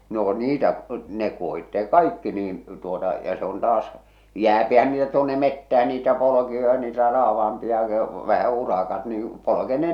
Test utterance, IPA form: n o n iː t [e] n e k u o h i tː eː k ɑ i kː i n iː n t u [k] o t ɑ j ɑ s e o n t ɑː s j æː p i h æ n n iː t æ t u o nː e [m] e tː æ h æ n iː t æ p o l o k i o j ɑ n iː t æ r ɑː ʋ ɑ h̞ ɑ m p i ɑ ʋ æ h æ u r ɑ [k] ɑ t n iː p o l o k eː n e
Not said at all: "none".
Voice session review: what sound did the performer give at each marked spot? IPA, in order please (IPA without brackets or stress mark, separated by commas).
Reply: æ, none, m, k